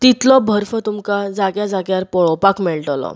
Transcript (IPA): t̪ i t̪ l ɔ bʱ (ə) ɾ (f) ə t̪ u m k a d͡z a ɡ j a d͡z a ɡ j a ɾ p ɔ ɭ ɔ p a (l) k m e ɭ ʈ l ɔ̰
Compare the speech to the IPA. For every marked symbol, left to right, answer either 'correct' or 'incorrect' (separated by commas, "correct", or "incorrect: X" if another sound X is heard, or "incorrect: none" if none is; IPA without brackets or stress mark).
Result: correct, correct, incorrect: none